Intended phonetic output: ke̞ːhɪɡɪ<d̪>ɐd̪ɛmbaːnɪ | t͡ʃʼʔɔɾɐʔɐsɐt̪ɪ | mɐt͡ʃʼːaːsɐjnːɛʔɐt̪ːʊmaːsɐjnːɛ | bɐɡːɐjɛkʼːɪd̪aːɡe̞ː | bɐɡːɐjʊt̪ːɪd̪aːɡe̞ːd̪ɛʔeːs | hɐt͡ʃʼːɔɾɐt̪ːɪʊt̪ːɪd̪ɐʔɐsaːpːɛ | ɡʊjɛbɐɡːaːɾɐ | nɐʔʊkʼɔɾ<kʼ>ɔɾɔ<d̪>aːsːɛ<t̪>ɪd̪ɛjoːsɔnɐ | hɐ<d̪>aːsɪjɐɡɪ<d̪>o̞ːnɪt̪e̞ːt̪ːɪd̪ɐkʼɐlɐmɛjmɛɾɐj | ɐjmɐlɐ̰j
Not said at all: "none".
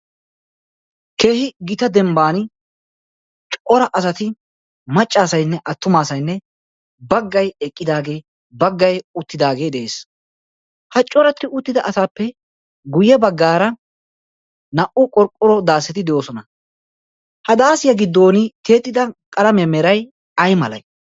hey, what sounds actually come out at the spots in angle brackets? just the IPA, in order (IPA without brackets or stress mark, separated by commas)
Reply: t̪, kʼ, d̪, t̪, d̪, d̪ː